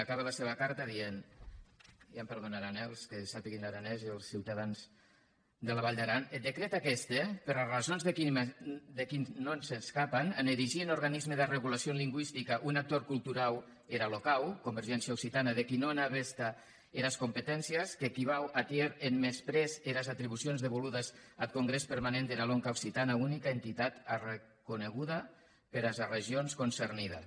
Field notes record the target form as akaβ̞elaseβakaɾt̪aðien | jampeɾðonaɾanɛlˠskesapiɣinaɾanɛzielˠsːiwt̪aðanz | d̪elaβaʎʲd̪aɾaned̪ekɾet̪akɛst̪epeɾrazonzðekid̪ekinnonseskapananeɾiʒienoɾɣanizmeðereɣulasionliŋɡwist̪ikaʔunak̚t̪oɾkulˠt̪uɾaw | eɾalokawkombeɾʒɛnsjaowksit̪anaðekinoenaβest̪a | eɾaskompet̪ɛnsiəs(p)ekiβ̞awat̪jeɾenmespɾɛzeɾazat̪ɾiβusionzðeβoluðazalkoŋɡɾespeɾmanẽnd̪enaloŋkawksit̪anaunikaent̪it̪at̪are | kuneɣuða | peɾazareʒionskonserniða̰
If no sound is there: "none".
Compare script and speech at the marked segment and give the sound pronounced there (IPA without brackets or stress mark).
k